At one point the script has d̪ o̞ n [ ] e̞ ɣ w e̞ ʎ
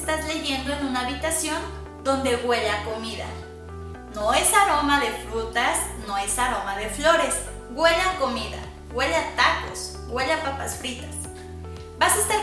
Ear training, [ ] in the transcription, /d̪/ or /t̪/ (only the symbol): d̪